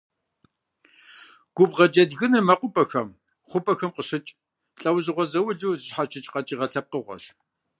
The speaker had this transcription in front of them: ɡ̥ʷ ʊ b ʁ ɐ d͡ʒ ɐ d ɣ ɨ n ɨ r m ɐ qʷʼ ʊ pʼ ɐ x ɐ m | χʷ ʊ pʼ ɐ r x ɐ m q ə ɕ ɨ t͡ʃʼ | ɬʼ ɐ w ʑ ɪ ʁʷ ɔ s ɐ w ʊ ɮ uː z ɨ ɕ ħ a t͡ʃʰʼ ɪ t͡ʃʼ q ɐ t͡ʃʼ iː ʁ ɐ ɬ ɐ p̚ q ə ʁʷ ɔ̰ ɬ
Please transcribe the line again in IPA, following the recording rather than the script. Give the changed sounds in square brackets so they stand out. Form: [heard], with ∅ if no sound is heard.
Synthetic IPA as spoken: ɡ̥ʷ ʊ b ʁ ɐ d͡ʒ ɐ d ɣ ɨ n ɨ r m ɐ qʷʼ ʊ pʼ ɐ x ɐ m | χʷ ʊ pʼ ɐ [∅] x ɐ m q ə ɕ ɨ t͡ʃʼ | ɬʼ ɐ w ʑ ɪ ʁʷ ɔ [z] ɐ w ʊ ɮ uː z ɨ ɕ ħ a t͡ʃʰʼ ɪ t͡ʃʼ q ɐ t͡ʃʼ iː ʁ ɐ ɬ ɐ p̚ q ə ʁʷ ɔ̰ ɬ